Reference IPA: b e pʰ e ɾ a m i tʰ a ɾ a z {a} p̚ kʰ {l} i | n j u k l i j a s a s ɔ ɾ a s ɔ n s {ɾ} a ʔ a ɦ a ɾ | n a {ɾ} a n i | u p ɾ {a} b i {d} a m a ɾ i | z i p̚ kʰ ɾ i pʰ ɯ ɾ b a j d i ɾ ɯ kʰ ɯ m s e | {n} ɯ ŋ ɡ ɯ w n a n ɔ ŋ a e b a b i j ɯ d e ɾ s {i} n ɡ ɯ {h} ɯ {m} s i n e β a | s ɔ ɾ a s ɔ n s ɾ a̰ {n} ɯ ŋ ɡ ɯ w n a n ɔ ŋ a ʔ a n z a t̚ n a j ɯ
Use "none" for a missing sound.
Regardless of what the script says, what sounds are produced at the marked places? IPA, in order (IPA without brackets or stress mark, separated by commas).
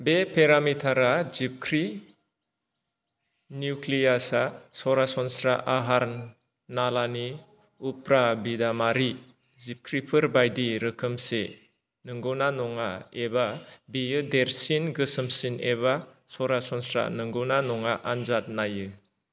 i, ɾ, ɾ, l, a, d, n, i, s, m, n